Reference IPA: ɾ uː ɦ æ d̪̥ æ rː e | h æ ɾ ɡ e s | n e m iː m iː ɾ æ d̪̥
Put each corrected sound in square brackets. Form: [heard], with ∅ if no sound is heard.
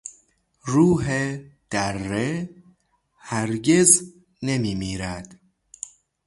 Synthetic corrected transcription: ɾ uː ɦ [e] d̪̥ æ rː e | h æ ɾ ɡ e [z] | n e m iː m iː ɾ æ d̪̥